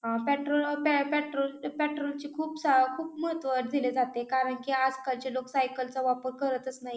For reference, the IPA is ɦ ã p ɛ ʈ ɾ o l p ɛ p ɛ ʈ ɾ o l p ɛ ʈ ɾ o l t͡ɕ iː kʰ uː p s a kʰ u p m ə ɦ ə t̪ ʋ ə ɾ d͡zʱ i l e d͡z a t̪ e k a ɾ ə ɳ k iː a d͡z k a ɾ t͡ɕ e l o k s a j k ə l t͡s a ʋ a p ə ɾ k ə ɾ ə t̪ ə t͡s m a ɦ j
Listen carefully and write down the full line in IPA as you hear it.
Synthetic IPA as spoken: ɦ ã p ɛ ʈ ɾ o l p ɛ p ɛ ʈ ɾ o l p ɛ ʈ ɾ o l t͡ɕ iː kʰ uː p s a kʰ uː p m ə ɦ ə t̪ ʋ ə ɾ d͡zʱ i l e d͡z a t̪ e k a ɾ ə ɳ k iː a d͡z k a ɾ t͡ɕ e l o k s a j k ə l t͡s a ʋ a p ə ɾ k ə ɾ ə t̪ ə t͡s n a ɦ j